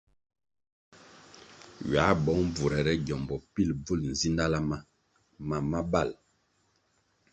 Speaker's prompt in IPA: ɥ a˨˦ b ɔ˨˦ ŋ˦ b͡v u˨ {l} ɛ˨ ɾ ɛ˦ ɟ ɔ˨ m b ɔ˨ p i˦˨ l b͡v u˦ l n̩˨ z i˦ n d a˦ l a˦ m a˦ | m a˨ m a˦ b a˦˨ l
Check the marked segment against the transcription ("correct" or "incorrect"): incorrect